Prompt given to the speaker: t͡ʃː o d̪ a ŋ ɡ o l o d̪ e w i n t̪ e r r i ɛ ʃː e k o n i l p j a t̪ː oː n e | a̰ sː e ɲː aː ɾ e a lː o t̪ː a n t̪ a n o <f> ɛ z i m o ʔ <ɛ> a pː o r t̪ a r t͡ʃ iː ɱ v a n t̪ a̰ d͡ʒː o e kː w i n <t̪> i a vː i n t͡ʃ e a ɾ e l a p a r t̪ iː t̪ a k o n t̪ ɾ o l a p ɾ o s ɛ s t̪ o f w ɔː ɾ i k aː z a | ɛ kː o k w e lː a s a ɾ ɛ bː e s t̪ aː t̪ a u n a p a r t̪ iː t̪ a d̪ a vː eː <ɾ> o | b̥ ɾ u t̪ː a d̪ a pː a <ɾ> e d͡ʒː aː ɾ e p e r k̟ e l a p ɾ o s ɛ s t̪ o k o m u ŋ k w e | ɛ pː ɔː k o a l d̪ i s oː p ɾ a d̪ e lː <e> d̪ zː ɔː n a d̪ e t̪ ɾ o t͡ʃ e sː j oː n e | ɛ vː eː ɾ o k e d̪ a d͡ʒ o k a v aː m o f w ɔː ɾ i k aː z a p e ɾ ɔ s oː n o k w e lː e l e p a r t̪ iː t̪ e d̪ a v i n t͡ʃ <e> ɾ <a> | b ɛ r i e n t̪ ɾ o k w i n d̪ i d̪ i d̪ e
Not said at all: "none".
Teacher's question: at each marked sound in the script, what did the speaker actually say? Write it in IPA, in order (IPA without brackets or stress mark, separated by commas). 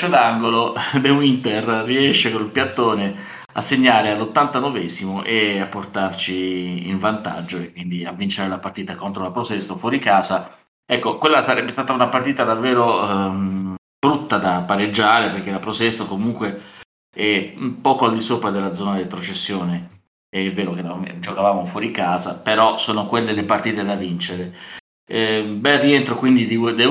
v, e, d̪, ɾ, ɾ, a, e, e